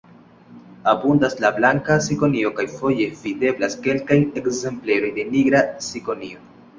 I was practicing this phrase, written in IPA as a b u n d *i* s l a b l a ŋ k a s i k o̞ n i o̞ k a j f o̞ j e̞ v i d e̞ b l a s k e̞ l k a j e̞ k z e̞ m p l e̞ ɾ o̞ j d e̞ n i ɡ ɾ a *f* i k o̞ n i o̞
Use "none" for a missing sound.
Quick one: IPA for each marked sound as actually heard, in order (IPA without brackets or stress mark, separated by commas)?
a, s